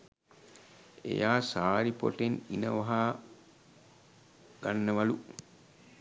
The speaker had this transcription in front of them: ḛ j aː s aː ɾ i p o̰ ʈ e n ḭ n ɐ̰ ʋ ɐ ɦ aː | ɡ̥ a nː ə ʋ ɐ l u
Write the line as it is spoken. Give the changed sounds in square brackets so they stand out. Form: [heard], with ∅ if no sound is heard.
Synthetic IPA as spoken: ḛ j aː s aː ɾ i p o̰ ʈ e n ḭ n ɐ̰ ʋ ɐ ɦ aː | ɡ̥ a nː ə ʋ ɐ l u

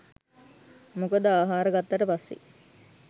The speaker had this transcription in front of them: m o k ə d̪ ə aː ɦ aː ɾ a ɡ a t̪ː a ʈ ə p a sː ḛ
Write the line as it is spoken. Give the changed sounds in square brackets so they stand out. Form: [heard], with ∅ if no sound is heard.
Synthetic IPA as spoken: m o k ə d̪ ə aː ɦ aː ɾ [ə] ɡ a t̪ː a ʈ ə p a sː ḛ

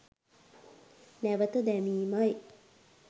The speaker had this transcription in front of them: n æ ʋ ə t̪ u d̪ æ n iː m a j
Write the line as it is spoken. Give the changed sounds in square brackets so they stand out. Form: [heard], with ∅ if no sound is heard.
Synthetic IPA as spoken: n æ ʋ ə t̪ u d̪ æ [m] iː m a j

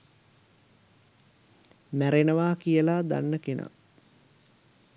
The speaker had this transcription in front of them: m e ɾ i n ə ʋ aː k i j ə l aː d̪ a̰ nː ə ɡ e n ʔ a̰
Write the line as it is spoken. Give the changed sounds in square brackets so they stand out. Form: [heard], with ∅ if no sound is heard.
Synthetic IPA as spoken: m [æ] ɾ [e] n ə ʋ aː k i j ə l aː d̪ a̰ nː ə [k] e n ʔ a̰

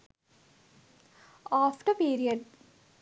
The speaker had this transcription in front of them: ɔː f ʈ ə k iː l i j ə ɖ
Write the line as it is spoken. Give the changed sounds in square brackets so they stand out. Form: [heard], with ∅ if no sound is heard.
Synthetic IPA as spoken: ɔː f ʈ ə [p] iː [ɾ] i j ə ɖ

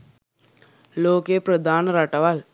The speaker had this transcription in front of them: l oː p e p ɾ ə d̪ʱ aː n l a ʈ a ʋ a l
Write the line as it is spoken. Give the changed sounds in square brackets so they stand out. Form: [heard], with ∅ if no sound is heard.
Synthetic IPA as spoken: l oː [k] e p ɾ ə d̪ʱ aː n [ɾ] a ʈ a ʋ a l

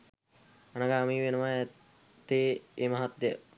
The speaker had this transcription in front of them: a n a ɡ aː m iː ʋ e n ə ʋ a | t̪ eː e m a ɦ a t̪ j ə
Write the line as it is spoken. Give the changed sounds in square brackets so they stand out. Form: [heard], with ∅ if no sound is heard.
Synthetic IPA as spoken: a n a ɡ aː m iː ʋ e n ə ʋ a | t̪ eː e m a ɦ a t̪ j ə

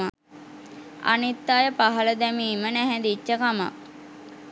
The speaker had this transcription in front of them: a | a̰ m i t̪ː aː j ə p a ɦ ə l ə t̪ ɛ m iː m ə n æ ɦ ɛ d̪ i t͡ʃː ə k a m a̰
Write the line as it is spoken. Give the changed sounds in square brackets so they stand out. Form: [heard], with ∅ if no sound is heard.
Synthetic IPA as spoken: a | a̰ [n] i t̪ː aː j ə p a ɦ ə l ə [d̪] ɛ m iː m ə n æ ɦ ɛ d̪ i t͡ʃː ə k a m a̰

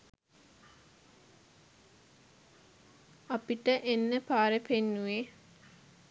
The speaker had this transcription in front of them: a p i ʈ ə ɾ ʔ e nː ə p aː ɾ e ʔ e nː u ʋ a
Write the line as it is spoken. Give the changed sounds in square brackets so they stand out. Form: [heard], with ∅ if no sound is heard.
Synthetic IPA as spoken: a p i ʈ ə [∅] ʔ e nː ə p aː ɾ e [p] e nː u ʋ [e]

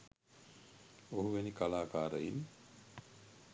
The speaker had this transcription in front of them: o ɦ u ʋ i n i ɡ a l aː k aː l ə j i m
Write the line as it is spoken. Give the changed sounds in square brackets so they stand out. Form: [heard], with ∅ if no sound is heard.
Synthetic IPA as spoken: o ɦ u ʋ [e] n i [k] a l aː k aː [ɾ] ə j i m

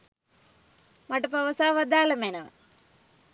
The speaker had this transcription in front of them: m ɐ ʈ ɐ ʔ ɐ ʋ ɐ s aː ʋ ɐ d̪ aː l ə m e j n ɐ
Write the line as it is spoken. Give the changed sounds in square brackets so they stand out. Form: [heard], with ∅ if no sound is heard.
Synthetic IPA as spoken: m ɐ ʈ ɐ [p] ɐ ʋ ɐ s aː ʋ ɐ d̪ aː l [ɐ] m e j n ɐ

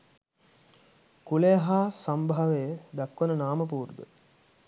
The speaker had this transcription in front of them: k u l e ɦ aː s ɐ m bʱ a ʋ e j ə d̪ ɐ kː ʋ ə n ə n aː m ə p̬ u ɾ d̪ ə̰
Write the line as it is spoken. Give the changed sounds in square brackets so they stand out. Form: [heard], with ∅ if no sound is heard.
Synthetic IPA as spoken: k u l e ɦ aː s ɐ m bʱ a ʋ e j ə d̪ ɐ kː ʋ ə n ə n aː m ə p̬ [uː] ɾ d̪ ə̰

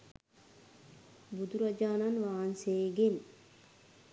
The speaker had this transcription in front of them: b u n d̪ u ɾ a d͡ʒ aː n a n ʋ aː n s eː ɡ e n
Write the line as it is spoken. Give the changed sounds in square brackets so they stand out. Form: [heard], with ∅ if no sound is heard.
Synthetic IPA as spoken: b u [∅] d̪ u ɾ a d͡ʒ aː n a n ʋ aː n s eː ɡ e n

